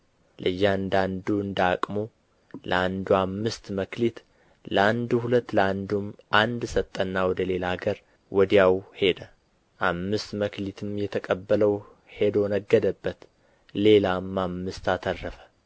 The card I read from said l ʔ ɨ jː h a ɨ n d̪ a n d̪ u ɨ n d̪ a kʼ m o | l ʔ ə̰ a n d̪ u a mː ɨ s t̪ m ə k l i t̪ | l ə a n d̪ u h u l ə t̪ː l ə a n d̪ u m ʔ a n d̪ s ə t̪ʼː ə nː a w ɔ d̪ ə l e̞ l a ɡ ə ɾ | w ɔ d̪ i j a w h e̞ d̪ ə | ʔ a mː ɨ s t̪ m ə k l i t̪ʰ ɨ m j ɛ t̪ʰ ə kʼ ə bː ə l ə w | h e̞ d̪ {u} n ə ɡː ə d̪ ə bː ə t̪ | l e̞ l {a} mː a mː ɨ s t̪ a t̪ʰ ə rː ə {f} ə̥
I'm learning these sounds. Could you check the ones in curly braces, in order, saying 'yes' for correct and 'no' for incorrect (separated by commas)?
no, yes, yes